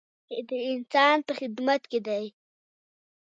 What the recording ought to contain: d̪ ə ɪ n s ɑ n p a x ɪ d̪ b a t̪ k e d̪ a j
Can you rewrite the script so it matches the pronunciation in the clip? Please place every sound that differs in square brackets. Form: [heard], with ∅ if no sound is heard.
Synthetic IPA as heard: d̪ ə ɪ n s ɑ n p [ə] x ɪ d̪ [m] a t̪ k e d̪ a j